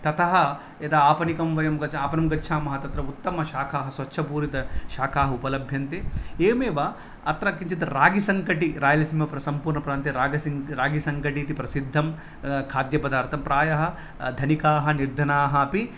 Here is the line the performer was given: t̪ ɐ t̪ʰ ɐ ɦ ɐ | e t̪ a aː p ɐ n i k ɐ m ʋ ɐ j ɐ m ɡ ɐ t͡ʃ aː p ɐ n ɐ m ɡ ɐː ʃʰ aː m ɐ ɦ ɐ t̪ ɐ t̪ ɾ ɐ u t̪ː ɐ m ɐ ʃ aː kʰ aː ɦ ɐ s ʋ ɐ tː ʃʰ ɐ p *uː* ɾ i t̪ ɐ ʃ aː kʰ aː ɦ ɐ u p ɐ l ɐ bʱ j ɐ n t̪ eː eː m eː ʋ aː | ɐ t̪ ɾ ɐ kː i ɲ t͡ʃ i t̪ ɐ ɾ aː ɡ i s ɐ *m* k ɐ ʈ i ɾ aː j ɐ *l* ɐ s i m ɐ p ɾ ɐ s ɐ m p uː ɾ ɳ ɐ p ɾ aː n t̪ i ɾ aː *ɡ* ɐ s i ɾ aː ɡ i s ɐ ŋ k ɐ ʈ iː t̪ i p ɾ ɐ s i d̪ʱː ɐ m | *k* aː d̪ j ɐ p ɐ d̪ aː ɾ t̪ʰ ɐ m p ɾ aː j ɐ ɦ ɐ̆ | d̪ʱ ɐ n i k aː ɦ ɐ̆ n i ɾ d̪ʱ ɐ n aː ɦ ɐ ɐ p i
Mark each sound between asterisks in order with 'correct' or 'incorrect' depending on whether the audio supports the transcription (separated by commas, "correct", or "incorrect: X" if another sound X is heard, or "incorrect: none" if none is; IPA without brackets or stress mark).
correct, incorrect: ŋ, correct, correct, incorrect: kʰ